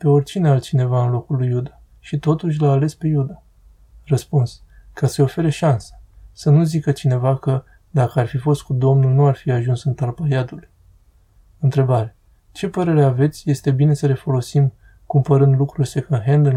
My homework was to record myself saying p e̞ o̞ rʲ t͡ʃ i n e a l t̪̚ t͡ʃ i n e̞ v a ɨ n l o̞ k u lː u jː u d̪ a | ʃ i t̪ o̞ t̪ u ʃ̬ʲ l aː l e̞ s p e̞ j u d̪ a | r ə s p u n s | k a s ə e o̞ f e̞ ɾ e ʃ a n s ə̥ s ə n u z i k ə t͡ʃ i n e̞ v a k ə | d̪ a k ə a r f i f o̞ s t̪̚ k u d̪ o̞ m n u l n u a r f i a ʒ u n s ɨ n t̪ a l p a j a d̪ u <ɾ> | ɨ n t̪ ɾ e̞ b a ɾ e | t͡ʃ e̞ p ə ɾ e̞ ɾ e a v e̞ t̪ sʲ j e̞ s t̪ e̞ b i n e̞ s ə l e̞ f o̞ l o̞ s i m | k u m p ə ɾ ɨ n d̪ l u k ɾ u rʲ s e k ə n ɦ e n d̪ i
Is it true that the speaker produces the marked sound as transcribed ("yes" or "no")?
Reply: no